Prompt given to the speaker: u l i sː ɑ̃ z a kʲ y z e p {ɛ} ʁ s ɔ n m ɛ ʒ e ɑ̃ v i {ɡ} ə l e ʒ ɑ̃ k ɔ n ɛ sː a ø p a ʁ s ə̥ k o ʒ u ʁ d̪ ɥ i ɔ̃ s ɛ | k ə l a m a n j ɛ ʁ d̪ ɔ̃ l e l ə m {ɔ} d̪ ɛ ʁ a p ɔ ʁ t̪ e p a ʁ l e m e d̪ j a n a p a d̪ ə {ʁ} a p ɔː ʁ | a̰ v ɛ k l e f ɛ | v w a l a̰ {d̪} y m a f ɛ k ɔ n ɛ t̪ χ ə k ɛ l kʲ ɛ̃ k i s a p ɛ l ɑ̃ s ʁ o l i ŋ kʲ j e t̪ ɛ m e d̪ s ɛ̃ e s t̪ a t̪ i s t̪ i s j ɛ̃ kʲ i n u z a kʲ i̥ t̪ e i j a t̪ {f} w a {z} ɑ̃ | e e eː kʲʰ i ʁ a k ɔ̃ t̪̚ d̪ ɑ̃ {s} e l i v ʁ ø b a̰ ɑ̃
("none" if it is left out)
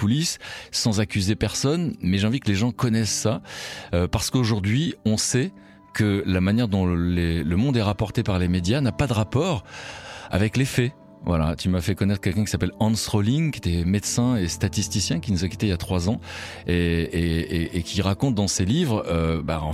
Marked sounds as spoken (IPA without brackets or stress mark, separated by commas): ɛ, k, ɔ̃, ʁ, t̪, χ, z, s